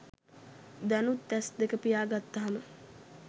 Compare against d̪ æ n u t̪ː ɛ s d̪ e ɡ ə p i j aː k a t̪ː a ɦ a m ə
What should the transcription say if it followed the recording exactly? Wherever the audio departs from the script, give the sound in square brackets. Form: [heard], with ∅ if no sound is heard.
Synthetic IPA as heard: d̪ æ n u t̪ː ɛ s d̪ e [k] ə p i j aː [ɡ] a t̪ː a ɦ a m ə